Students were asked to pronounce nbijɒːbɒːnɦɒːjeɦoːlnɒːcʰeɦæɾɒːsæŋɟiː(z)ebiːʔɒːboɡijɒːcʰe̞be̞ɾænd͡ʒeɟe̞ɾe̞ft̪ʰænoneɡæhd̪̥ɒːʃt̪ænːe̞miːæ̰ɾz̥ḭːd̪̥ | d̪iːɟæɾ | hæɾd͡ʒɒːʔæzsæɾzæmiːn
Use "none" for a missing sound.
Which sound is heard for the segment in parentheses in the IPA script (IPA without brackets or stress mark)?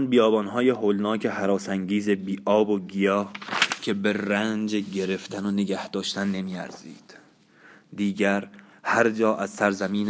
z